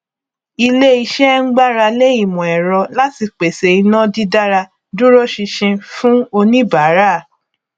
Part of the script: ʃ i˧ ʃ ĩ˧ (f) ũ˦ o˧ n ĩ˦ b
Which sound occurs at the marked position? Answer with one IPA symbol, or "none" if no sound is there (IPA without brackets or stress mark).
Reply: f